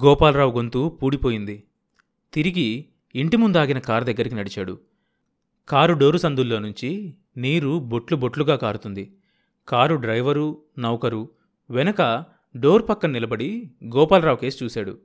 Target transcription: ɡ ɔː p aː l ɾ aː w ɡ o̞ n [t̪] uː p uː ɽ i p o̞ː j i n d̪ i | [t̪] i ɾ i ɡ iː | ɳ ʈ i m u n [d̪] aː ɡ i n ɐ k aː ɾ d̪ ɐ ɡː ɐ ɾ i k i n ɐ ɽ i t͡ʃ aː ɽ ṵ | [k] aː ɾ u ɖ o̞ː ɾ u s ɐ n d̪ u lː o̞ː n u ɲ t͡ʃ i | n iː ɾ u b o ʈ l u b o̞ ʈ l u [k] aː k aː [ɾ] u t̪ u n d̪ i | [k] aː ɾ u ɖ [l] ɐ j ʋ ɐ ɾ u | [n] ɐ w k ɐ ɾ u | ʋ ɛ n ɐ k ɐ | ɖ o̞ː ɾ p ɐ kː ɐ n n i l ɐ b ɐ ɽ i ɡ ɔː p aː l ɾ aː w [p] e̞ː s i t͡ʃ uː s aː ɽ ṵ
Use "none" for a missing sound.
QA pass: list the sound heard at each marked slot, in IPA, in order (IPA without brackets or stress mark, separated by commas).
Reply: t̪, t̪, d̪, k, ɡ, ɾ, k, ɾ, n, k